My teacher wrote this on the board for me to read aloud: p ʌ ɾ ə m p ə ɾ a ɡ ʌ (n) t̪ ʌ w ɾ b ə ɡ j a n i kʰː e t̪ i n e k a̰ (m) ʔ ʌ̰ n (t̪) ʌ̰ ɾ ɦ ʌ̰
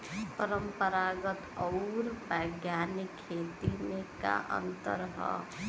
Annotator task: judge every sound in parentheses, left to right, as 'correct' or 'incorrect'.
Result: incorrect, incorrect, correct

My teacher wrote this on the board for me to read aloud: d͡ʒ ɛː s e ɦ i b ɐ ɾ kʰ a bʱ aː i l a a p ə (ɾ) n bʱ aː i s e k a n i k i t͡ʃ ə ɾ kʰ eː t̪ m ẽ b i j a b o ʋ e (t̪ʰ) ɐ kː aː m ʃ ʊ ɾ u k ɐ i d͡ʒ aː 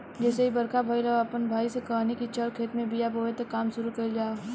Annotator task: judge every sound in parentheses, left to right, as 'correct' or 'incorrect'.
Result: incorrect, incorrect

